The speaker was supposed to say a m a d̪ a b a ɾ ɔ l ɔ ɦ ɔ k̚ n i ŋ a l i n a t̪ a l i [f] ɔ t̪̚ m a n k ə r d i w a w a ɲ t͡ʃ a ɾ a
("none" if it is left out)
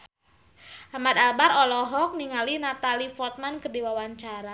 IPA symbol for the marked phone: f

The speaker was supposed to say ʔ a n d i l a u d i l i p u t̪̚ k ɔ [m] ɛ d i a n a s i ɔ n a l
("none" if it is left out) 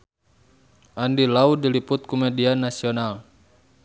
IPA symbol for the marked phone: m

